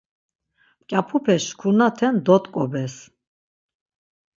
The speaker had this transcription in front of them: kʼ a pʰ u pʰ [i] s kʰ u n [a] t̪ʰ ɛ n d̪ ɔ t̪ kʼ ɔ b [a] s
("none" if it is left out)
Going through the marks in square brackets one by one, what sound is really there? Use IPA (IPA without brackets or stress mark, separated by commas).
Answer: ɛ, a, ɛ